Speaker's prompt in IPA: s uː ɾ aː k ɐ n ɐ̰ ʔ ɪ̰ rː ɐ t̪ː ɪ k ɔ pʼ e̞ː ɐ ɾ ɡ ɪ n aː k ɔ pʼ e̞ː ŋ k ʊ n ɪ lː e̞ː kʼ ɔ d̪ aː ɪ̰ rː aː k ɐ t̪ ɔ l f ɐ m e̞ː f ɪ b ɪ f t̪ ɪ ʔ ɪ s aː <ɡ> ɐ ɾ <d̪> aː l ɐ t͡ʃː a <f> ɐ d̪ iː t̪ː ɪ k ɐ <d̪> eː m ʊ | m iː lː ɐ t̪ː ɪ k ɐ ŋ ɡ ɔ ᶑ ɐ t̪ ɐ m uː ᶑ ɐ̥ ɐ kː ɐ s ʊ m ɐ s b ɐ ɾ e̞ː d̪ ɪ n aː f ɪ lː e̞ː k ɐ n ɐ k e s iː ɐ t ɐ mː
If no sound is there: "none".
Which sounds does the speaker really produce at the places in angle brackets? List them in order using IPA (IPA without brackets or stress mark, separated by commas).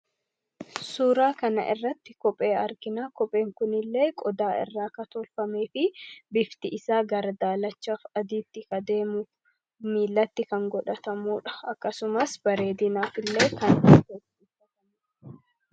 ɡ, d̪, f, d̪